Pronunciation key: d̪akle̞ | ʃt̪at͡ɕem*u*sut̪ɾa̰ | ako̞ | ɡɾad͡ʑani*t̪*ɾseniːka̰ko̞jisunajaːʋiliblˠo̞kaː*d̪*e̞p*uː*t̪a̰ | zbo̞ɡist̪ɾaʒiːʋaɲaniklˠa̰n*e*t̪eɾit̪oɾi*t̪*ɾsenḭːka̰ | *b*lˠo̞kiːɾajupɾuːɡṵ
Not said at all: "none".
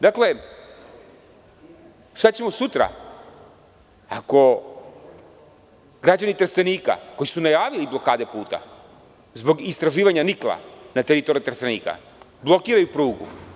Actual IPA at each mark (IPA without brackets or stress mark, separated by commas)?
o, t̪, d̪, uː, a, t̪, b